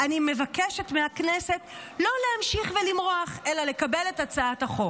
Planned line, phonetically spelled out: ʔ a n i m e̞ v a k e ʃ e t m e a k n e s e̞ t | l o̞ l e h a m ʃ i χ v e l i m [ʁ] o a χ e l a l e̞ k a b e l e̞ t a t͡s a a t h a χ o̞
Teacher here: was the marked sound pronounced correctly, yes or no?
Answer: yes